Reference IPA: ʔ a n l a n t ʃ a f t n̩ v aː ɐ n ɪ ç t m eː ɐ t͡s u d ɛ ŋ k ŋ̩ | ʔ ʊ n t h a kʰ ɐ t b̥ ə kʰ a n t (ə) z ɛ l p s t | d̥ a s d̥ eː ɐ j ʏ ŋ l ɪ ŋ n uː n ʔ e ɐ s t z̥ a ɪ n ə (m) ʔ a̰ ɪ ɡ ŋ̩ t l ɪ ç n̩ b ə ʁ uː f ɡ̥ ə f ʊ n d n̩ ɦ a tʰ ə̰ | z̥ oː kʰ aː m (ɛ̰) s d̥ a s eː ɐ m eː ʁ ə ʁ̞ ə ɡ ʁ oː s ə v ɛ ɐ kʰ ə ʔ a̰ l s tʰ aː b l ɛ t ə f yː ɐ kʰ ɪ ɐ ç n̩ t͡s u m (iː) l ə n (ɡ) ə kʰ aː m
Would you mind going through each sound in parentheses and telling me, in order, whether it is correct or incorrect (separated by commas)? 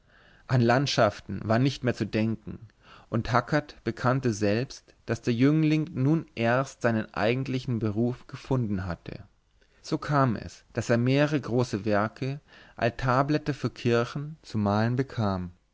correct, incorrect, correct, incorrect, incorrect